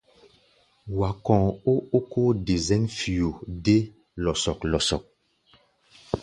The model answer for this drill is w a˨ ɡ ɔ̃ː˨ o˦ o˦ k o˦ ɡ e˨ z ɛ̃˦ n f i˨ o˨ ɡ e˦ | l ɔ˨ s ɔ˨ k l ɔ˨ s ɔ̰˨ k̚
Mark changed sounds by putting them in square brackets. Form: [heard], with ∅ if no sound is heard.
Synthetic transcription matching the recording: w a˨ [k] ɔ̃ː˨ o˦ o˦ k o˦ [d] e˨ z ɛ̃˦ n f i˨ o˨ [d] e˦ | l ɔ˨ s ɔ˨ k l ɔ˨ s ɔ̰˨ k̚